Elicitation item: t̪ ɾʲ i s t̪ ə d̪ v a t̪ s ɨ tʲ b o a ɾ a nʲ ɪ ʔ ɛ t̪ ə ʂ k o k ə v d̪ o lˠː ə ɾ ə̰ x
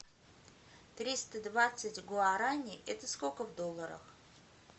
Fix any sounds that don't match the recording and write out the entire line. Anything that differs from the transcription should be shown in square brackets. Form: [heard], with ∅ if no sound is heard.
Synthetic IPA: t̪ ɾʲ i s t̪ ə d̪ v a t̪ s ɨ tʲ [ɡ] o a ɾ a nʲ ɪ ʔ ɛ t̪ ə [s] k o k ə v d̪ o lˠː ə ɾ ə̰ x

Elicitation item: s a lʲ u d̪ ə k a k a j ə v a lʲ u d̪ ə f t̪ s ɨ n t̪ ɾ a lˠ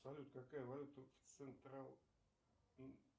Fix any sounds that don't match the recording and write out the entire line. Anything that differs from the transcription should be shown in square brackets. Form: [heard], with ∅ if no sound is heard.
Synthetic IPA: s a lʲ u [t̪] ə k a k a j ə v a lʲ u [t̪] ə f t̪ s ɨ n t̪ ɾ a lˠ

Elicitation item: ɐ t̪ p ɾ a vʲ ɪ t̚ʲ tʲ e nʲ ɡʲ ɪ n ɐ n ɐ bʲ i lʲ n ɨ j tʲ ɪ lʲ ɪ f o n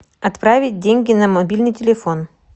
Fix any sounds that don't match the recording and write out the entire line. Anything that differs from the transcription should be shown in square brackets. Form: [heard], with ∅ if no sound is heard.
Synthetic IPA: ɐ t̪ p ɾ a vʲ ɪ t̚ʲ [dʲ] e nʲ ɡʲ ɪ n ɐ [m] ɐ bʲ i lʲ n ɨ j tʲ ɪ lʲ ɪ f o n

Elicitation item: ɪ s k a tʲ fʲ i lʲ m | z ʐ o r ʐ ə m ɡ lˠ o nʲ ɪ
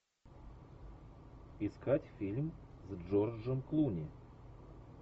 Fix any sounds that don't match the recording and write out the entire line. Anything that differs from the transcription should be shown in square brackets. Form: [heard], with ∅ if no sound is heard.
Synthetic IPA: ɪ s k a tʲ fʲ i lʲ m | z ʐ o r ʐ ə m [k] lˠ [u] nʲ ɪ

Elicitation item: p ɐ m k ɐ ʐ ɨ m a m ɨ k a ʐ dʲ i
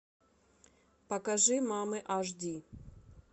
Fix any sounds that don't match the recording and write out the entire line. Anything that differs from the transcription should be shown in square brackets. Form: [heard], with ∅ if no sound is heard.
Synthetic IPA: p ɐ [∅] k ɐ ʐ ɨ m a m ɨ [ʔ] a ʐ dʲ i

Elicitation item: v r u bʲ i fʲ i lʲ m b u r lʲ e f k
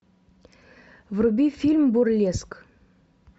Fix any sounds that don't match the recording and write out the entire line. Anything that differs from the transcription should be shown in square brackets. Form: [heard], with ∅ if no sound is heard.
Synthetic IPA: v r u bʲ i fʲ i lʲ m b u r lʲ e [s] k

